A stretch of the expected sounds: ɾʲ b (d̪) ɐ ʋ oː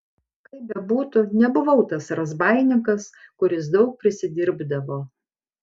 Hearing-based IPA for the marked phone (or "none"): d̪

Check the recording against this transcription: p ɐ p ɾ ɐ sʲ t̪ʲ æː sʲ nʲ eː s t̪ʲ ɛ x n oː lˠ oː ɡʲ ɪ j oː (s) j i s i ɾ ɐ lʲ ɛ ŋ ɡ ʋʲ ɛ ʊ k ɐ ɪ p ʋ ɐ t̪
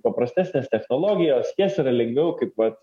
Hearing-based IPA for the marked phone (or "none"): s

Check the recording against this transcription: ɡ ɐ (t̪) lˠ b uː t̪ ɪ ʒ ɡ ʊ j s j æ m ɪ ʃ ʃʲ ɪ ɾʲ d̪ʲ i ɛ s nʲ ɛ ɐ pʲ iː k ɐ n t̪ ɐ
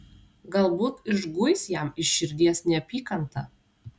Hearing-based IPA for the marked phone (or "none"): none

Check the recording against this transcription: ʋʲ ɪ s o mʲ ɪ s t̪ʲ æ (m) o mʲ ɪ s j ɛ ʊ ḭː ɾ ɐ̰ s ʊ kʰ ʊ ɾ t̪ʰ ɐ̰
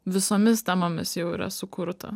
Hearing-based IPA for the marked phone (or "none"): m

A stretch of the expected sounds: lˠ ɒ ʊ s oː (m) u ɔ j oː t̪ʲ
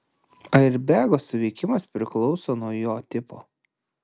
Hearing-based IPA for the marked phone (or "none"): n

